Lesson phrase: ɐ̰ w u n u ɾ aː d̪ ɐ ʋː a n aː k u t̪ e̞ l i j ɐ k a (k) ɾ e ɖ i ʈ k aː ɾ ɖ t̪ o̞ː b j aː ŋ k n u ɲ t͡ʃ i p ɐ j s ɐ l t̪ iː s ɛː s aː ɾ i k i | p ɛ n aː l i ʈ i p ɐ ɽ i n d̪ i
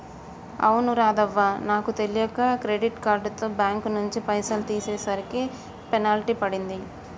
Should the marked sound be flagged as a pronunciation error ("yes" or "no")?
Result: no